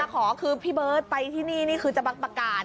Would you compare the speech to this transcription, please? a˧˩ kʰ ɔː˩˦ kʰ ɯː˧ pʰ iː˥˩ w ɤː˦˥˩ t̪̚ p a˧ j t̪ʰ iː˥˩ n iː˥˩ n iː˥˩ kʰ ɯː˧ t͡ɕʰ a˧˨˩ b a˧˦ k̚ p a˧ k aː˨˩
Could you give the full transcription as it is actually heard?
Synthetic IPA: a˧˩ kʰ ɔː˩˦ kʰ ɯː˧ pʰ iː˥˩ b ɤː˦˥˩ t̪̚ p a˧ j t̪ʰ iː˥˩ n iː˥˩ n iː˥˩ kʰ ɯː˧ t͡ɕ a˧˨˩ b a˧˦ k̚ p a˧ k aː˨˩

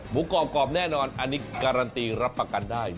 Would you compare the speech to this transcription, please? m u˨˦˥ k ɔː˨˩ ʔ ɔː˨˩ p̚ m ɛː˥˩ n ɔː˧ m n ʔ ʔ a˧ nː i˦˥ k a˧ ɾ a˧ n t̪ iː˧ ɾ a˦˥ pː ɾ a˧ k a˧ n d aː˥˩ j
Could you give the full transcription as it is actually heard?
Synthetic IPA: m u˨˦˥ k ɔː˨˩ k ɔː˨˩ p̚ n ɛː˥˩ n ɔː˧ n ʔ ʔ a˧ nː i˦˥ k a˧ ɾ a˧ n t̪ iː˧ ɾ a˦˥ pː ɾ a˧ k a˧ n d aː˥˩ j

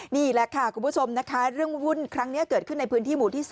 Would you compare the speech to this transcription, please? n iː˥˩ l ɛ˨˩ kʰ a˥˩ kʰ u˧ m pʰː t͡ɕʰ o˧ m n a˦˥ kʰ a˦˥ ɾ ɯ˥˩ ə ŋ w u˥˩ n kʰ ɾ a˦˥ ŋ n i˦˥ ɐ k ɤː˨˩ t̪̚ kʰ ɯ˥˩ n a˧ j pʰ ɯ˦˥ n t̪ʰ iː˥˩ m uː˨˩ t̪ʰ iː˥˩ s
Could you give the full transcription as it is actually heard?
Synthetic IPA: n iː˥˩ l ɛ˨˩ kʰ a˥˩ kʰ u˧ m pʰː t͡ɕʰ o˧ m n a˦˥ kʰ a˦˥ ɾ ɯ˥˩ ə ŋ w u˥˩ n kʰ ɾ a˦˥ ŋ n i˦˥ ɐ k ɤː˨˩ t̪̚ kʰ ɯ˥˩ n a˧ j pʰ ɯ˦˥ n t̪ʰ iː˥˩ m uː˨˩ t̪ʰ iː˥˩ s

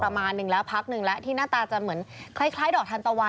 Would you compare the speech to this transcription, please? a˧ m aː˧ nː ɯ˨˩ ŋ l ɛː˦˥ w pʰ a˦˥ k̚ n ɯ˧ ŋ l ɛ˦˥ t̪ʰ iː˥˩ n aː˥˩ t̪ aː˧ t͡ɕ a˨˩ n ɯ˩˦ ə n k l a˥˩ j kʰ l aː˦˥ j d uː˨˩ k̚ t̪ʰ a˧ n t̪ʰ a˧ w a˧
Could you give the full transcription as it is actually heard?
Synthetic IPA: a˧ m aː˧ nː ɯ˨˩ ŋ l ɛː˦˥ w pʰ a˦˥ k̚ n ɯ˨˩ ŋ l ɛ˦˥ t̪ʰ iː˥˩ n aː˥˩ t̪ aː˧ t͡ɕ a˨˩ m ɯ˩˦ ə n kʰ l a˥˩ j kʰ l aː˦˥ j d ɔː˨˩ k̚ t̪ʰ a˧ n t̪ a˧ w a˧

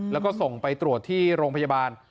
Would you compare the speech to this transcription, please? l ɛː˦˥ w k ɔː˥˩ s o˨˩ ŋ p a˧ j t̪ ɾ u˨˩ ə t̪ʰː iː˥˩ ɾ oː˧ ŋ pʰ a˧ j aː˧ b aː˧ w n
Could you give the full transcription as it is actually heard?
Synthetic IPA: l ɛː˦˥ w k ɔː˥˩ s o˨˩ ŋ p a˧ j t̪ ɾ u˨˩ ə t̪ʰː iː˥˩ ɾ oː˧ ŋ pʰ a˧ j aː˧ b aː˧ n

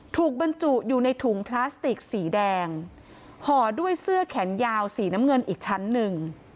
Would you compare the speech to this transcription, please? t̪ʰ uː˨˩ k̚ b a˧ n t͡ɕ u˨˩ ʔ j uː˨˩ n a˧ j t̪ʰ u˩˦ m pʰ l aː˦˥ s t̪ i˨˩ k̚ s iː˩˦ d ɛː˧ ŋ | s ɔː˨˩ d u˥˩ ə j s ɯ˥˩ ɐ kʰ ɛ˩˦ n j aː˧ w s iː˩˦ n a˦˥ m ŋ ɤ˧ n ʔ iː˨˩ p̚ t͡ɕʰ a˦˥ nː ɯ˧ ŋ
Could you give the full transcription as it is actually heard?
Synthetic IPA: t̪ʰ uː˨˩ k̚ b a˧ n t͡ɕ u˨˩ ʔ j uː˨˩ n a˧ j t̪ʰ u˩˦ ŋ pʰ l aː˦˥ s t̪ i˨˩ k̚ s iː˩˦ d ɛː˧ ŋ | h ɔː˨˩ d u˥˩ ə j s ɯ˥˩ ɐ kʰ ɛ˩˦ n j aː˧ w s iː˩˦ n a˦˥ m ŋ ɤ˧ n ʔ iː˨˩ k̚ t͡ɕʰ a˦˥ nː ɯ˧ ŋ

